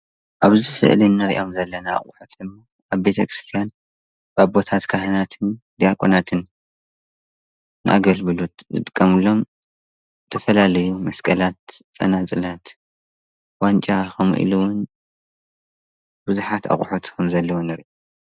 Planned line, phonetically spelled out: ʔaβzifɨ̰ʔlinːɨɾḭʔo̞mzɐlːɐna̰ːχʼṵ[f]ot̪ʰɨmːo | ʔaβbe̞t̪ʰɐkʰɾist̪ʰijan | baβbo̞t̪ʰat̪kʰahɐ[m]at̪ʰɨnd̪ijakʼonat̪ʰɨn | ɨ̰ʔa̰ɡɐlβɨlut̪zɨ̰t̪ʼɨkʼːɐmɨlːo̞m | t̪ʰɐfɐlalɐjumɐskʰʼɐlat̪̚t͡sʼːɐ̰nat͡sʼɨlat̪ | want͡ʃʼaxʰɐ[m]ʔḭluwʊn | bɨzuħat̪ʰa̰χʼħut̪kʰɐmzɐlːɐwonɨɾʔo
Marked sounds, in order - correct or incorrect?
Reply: incorrect, incorrect, correct

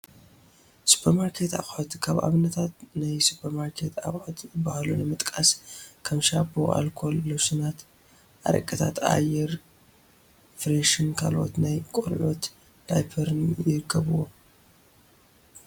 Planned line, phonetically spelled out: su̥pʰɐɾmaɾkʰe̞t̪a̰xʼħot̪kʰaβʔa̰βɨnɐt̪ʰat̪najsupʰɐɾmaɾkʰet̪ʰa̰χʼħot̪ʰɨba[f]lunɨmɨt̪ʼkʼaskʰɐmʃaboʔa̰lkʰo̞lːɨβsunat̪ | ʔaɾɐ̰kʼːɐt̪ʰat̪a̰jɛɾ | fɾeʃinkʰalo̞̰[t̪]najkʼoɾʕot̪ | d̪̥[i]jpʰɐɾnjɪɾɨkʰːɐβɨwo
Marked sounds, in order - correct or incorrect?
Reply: incorrect, correct, incorrect

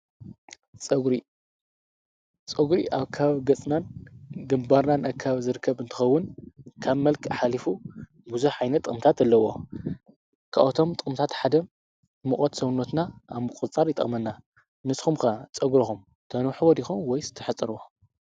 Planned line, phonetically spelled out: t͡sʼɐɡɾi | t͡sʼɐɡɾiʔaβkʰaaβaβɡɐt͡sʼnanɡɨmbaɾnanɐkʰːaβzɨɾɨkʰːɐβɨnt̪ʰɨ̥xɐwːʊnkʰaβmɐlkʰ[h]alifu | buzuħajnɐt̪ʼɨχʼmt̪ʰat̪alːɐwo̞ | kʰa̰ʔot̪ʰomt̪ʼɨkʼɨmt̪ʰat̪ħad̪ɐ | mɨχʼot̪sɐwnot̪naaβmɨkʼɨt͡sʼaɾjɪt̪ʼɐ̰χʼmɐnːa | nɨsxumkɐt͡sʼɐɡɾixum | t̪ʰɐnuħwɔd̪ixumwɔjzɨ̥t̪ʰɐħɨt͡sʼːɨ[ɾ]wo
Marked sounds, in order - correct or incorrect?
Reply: incorrect, correct

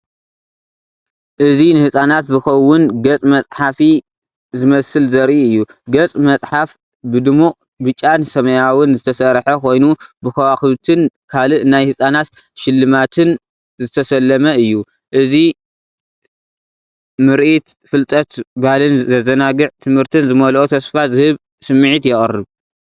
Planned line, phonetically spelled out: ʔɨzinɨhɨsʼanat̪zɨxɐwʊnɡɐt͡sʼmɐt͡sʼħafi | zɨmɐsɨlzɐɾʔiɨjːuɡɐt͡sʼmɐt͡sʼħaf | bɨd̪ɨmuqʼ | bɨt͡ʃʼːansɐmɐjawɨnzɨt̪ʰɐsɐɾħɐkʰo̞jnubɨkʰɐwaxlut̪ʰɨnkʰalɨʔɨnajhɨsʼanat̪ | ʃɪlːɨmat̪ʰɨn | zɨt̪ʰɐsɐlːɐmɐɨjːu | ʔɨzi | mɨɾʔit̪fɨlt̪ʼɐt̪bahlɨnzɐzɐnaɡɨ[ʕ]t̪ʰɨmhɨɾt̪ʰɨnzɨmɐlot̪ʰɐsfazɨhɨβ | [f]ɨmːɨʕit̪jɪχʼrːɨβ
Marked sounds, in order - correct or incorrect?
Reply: correct, incorrect

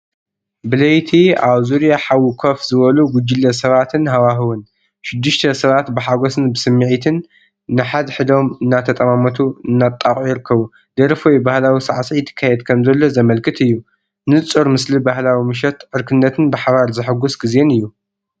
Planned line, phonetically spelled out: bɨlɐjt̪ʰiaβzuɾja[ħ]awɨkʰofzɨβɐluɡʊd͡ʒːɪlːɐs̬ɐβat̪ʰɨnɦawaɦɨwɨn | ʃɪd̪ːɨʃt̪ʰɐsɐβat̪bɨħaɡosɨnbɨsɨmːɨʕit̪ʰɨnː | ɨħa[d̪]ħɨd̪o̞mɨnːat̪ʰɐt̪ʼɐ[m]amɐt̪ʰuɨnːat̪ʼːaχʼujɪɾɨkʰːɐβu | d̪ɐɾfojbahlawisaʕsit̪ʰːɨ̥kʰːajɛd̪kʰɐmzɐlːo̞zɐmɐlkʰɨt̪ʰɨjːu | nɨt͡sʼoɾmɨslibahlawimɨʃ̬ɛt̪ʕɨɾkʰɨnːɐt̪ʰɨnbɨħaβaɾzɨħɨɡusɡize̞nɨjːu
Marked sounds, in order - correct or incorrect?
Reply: correct, correct, correct

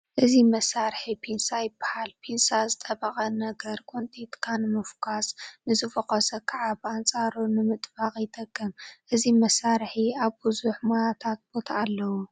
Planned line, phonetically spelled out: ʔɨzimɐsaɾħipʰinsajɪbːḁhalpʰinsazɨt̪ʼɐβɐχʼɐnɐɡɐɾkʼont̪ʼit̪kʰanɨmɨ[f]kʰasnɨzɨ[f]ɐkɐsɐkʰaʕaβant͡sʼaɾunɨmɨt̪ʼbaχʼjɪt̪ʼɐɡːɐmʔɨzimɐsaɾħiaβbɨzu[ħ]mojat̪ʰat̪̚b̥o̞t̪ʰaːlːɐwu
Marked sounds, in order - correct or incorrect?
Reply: correct, correct, correct

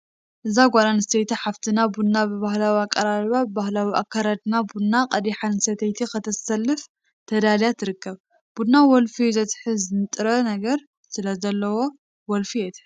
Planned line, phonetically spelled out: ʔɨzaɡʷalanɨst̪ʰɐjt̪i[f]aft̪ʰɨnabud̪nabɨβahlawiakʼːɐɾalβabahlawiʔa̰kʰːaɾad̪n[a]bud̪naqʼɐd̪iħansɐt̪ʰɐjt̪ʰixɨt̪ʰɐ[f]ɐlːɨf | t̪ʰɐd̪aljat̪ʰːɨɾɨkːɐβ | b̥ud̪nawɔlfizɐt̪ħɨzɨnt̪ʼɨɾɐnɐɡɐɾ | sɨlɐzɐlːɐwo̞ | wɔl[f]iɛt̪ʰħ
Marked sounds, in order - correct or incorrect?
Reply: incorrect, correct, incorrect, correct

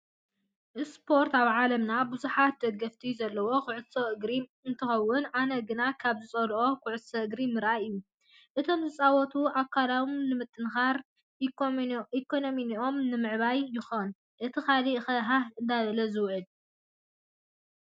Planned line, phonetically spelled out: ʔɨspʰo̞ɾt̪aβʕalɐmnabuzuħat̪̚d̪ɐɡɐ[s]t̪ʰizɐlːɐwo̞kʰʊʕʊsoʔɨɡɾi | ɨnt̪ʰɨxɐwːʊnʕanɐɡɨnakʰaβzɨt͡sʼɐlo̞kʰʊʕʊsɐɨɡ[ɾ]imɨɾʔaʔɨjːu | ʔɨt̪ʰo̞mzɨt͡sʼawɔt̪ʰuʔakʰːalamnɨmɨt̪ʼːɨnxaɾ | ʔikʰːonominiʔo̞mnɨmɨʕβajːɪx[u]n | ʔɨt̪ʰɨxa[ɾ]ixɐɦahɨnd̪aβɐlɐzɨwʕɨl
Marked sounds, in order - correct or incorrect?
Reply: incorrect, correct, incorrect, incorrect

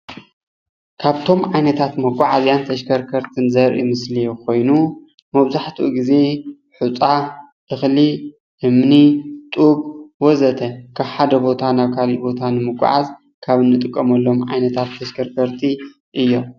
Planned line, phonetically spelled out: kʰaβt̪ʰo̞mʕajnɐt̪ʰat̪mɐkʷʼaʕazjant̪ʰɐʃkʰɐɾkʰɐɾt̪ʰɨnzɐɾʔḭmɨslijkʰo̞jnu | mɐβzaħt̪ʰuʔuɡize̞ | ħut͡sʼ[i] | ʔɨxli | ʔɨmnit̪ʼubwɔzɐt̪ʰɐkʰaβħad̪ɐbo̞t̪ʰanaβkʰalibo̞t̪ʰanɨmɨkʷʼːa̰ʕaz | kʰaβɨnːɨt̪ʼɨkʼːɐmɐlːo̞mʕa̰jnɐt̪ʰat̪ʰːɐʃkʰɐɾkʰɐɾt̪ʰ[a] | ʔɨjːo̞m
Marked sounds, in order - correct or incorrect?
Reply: incorrect, incorrect

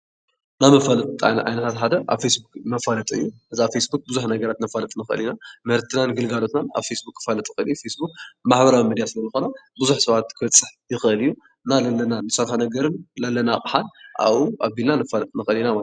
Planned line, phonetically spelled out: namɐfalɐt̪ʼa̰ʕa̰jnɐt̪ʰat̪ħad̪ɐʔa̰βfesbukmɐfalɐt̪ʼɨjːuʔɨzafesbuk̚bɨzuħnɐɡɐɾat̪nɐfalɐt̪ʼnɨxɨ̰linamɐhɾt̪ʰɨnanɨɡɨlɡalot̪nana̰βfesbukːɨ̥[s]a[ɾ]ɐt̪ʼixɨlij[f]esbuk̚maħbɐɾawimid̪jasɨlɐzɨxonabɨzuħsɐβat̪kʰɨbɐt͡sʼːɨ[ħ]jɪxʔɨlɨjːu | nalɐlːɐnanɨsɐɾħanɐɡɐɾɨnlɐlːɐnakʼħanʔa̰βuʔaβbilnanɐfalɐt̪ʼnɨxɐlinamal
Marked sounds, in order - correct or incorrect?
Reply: incorrect, incorrect, correct, correct

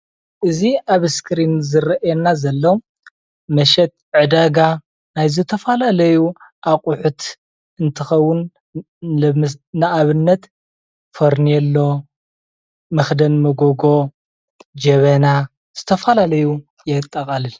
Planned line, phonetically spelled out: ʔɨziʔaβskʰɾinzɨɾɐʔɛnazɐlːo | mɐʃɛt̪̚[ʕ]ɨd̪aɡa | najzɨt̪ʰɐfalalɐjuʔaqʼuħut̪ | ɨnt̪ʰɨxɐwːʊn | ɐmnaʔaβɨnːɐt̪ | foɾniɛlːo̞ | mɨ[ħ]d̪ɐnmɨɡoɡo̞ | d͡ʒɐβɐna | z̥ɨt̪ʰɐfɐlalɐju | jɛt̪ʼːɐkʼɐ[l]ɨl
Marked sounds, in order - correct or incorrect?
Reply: correct, incorrect, correct

